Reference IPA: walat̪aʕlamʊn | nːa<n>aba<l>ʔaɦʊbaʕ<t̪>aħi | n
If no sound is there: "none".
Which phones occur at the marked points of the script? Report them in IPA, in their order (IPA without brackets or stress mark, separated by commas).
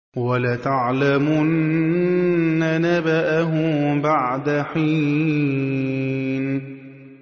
n, none, d̪